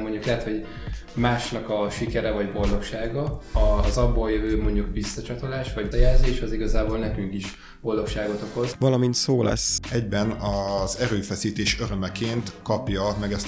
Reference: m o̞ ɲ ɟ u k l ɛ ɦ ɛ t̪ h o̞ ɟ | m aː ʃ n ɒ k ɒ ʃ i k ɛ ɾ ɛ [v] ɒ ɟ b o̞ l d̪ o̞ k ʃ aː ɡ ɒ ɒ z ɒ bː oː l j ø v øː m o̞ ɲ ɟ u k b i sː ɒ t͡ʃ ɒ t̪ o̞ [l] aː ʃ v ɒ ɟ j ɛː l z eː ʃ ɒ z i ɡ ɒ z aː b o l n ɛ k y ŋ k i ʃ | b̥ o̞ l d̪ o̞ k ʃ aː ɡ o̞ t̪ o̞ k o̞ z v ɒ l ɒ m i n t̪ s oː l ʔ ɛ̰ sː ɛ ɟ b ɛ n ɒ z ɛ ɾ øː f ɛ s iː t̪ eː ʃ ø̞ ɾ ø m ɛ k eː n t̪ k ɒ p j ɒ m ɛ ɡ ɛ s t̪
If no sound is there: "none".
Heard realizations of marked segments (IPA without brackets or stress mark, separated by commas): v, l